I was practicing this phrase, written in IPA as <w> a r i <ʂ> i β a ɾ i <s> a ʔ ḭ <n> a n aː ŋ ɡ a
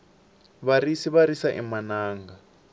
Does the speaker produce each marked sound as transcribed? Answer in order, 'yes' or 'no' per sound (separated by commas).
no, no, yes, no